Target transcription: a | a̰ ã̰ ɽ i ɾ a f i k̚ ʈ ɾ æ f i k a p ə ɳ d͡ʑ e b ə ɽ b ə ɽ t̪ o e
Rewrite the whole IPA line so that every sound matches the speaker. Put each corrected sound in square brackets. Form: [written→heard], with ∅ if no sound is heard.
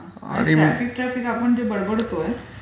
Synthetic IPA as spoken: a | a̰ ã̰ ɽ i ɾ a f i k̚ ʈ ɾ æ f i k a p ə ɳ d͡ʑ e b ə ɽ b ə ɽ t̪ o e